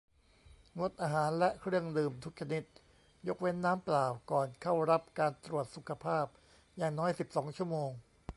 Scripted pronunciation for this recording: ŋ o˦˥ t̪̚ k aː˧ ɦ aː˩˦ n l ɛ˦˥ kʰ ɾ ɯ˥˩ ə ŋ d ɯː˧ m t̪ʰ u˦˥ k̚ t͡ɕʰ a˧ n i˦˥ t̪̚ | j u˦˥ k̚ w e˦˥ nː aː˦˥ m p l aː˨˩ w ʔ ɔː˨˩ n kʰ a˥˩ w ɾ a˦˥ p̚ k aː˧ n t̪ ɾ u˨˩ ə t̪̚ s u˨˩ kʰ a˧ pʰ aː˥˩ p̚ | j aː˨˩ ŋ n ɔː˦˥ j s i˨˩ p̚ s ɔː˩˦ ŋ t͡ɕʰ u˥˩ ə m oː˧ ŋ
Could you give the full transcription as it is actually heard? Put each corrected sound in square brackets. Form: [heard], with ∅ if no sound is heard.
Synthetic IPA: ŋ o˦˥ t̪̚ [ʔ] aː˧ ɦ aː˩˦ n l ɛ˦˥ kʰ ɾ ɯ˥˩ ə ŋ d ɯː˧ m t̪ʰ u˦˥ k̚ t͡ɕʰ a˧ n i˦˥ t̪̚ | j [o˦˥] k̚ w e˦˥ nː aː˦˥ m p l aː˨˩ w [k] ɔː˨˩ n kʰ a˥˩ w ɾ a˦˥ p̚ k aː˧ n t̪ ɾ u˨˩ ə t̪̚ s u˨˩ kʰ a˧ pʰ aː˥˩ p̚ | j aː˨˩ ŋ n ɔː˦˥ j s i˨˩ p̚ s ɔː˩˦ ŋ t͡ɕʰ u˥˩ ə m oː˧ ŋ